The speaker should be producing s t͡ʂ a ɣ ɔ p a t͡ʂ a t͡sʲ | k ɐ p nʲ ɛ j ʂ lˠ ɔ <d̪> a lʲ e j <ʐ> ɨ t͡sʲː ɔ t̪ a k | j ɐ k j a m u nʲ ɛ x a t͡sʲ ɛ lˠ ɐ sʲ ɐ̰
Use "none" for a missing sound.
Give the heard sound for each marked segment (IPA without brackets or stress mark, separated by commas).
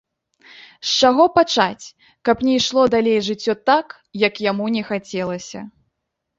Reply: d̪, ʐ